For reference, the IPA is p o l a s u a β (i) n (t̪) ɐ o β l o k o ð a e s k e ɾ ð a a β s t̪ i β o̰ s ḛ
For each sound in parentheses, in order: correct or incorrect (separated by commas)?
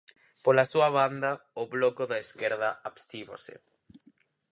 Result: incorrect, incorrect